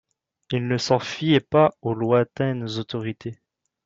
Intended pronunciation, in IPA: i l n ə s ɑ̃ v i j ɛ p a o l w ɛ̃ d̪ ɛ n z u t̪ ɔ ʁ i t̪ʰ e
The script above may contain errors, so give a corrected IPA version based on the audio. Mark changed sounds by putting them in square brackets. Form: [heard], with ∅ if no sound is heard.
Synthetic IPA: i l n ə s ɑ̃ [f] i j ɛ p a o l w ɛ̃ [t̪] ɛ n z [o] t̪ ɔ ʁ i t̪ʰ e